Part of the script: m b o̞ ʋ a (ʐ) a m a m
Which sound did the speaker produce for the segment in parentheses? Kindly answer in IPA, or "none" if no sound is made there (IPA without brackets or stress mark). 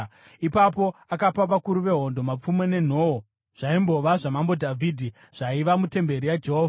ʐ